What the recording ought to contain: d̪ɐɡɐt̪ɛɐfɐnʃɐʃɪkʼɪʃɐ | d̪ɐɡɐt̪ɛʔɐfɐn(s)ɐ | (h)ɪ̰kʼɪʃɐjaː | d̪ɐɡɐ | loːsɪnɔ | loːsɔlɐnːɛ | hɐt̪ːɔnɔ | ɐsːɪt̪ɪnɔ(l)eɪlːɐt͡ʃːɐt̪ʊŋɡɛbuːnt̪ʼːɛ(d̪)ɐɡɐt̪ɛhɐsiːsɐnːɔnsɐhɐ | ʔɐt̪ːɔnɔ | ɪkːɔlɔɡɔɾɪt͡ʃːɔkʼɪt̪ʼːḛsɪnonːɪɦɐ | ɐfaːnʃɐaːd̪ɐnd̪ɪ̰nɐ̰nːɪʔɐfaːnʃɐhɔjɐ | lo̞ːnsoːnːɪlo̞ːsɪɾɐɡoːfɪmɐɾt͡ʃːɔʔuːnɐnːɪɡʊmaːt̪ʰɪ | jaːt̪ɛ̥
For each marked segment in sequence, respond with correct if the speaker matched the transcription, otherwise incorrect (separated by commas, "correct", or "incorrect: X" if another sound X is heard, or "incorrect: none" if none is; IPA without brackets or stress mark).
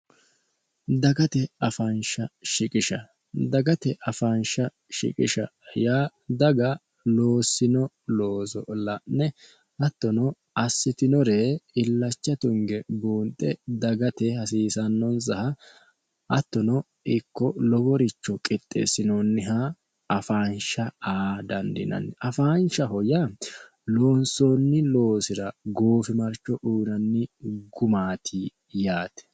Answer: incorrect: ʃ, incorrect: ʃ, incorrect: ɾ, correct